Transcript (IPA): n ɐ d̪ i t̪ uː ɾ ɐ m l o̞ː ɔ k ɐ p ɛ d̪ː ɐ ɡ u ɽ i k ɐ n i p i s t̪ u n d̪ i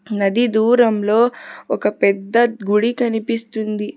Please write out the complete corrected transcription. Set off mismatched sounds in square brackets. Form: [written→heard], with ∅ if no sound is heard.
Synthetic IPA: n ɐ d̪ i [t̪→d̪] uː ɾ ɐ m l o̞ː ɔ k ɐ p ɛ d̪ː ɐ ɡ u ɽ i k ɐ n i p i s t̪ u n d̪ i